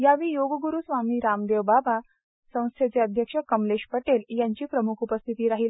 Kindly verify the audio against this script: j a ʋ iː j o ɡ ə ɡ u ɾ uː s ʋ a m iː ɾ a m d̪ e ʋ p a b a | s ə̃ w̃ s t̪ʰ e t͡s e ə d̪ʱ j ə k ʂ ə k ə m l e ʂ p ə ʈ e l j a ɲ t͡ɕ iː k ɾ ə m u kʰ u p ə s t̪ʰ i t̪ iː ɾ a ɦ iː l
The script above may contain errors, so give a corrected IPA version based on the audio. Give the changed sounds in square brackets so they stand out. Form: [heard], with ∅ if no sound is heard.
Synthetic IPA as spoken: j a ʋ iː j o ɡ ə ɡ u ɾ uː s ʋ a m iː ɾ a m d̪ e ʋ [b] a b a | s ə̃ w̃ s t̪ʰ e t͡s e ə d̪ʱ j ə k ʂ ə k ə m l e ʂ p ə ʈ e l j a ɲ t͡ɕ iː [p] ɾ ə m u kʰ u p ə s t̪ʰ i t̪ iː ɾ a ɦ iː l